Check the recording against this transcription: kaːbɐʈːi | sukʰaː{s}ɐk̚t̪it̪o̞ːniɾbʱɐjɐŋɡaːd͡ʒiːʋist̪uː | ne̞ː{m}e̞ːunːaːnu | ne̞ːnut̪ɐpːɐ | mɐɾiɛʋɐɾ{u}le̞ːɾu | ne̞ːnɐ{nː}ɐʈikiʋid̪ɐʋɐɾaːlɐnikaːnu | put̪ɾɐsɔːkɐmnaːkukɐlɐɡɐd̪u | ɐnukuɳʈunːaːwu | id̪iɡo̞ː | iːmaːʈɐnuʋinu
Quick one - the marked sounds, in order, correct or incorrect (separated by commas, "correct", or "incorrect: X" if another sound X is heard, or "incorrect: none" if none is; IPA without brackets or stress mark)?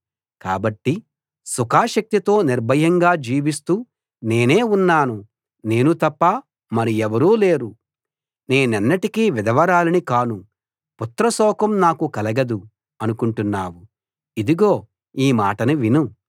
incorrect: ʃ, incorrect: n, incorrect: uː, correct